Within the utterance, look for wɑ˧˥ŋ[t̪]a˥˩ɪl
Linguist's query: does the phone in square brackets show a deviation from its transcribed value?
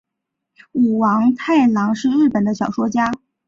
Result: yes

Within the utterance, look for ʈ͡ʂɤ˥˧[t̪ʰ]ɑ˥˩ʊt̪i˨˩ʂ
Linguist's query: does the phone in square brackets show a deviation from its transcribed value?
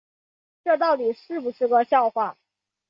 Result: yes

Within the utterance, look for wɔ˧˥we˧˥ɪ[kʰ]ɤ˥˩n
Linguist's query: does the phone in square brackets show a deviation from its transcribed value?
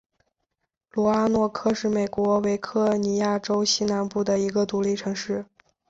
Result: no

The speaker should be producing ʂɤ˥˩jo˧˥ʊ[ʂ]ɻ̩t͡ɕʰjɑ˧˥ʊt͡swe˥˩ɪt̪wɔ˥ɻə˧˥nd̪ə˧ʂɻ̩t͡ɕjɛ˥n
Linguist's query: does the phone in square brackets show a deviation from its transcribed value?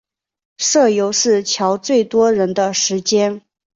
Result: no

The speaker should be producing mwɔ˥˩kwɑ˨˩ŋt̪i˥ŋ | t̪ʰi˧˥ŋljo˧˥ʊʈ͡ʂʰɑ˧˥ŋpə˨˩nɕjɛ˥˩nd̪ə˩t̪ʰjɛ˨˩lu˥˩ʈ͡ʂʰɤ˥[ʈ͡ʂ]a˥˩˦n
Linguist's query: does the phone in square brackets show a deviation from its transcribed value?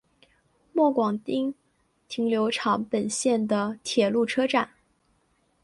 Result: no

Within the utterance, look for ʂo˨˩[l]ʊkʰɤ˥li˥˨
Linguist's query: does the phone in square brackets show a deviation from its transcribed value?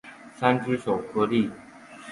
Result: yes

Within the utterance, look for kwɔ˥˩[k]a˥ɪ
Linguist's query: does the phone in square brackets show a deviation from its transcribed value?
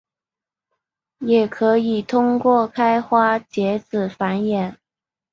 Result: yes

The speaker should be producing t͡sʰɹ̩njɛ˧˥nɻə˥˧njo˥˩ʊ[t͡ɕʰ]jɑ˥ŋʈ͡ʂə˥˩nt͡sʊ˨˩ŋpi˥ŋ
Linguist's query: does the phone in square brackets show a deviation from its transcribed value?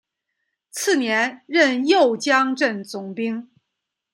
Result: yes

